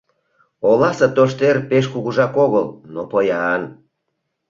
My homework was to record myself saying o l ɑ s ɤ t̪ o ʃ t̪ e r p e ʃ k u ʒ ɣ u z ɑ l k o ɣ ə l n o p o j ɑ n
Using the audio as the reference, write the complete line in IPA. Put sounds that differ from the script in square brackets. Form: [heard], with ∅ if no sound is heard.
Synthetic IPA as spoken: o l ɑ s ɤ t̪ o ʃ t̪ e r p e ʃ k u [∅] ɣ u [ʒ] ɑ [∅] k o ɣ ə l n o p o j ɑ n